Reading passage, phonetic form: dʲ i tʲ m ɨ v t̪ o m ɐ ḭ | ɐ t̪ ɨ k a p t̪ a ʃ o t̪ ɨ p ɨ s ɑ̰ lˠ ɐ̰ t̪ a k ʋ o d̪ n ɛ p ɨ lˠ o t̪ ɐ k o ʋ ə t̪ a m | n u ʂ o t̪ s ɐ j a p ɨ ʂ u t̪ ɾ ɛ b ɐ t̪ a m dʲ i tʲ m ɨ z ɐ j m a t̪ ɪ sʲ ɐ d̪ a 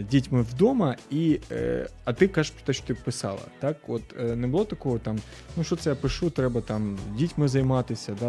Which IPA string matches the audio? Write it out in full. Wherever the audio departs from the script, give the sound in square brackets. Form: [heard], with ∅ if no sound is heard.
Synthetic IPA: dʲ i tʲ m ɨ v [d̪] o m ɐ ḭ | ɐ t̪ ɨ k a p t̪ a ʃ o t̪ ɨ p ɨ s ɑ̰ lˠ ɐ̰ t̪ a k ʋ o [t̪] n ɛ [b] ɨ lˠ o t̪ ɐ k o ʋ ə t̪ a m | n u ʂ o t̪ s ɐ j a p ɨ ʂ u t̪ ɾ ɛ b ɐ t̪ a m dʲ i tʲ m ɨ z ɐ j m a t̪ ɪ sʲ ɐ d̪ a